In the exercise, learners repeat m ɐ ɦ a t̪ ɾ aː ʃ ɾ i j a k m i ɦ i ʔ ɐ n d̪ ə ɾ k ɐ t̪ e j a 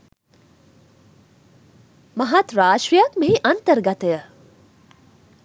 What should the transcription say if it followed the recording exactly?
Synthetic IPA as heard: m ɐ ɦ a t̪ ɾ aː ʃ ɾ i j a k m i ɦ i ʔ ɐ n t̪ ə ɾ ɡ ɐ t̪ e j ə